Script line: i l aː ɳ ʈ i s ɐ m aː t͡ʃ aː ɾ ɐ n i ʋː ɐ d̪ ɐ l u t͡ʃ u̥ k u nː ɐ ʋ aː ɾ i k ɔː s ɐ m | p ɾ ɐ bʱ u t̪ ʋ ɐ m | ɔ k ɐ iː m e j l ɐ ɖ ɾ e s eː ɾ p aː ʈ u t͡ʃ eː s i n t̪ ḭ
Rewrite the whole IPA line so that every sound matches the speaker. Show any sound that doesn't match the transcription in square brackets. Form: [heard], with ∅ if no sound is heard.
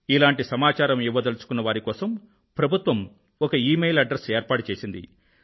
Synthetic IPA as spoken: i l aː ɳ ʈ i s ɐ m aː t͡ʃ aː ɾ ɐ [m] i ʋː ɐ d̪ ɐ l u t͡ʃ u̥ k u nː ɐ ʋ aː ɾ i k ɔː s ɐ m | p ɾ ɐ bʱ u t̪ ʋ ɐ m | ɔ k ɐ iː m e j l ɐ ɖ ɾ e s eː ɾ p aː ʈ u t͡ʃ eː s i n [d̪] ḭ